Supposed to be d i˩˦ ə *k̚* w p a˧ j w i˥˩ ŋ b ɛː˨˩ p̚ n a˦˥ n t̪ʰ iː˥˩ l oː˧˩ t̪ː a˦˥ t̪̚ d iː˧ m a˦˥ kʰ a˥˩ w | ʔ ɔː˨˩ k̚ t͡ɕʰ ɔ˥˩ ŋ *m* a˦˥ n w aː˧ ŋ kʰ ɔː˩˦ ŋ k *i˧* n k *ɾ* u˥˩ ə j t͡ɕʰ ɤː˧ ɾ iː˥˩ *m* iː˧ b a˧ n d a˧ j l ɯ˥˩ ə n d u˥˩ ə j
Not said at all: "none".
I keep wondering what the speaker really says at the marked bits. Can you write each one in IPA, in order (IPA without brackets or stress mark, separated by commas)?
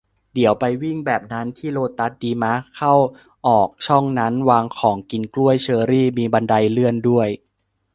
none, n, i˧, l, m